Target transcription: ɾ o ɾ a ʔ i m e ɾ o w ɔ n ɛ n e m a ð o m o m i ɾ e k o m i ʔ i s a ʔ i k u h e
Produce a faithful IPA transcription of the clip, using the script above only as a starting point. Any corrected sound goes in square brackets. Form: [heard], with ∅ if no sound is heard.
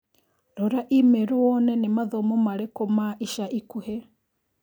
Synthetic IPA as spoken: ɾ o ɾ a ʔ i m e ɾ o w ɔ n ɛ n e m a ð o m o m [a] ɾ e k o m [a] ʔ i [ʃ] a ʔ i k u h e